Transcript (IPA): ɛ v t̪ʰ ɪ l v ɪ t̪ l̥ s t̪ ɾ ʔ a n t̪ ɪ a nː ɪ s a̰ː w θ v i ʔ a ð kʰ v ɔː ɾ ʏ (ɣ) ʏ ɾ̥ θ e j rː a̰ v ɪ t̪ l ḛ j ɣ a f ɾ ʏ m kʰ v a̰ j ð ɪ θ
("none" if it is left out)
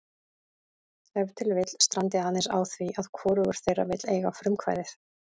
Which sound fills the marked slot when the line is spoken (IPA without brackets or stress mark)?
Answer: ɣ